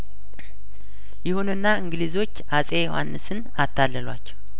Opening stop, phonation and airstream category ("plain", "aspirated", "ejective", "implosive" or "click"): plain